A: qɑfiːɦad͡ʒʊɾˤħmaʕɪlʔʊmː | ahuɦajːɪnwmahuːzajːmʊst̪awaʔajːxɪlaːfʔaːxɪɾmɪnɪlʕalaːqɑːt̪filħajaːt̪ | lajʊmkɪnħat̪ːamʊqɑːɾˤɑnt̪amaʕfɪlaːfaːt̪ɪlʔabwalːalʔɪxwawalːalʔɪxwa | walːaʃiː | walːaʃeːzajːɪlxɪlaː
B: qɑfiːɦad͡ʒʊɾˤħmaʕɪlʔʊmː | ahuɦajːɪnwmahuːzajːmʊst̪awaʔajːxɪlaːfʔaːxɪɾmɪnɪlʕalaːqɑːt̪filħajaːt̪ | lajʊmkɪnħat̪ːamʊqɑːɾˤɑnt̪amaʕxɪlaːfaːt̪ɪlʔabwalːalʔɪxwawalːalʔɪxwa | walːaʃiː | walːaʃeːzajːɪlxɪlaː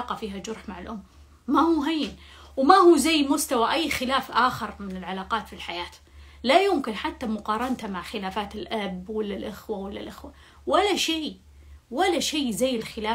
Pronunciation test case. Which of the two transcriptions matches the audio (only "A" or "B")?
B